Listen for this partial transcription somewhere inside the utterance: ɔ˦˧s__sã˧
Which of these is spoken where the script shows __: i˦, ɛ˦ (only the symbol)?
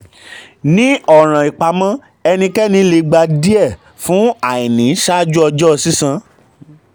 i˦